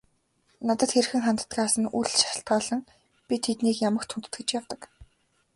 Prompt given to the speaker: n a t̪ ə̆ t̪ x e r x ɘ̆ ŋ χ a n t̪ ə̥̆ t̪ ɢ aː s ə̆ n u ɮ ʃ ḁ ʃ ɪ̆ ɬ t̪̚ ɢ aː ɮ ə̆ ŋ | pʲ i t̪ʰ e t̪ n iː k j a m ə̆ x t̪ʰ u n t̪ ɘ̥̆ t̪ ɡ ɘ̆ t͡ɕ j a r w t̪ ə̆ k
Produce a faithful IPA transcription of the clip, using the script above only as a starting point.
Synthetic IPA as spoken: n a t̪ ə̆ t̪ x e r x ɘ̆ ŋ χ a n t̪ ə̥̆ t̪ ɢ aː s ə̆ n u ɮ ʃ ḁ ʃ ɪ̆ ɬ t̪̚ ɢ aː ɮ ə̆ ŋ | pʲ i t̪ʰ e t̪ n iː k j a m ə̆ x t̪ʰ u n t̪ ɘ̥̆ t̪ ɡ ɘ̆ t͡ɕ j a w t̪ ə̆ k